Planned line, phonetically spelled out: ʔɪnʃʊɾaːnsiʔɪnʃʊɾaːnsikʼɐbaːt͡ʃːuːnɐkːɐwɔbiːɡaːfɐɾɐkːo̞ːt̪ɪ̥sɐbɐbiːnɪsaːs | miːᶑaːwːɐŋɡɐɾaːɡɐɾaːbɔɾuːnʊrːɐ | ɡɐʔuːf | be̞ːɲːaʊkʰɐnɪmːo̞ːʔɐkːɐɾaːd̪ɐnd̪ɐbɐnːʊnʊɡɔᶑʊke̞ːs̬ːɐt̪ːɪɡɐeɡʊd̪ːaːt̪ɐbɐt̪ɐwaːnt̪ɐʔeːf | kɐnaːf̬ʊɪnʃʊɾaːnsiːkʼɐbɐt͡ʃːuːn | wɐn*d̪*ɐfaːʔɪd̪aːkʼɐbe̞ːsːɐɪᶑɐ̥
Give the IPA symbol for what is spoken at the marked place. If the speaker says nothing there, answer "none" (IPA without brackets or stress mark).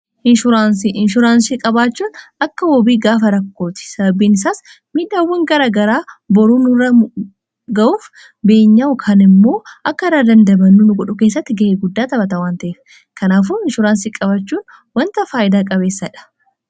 t̪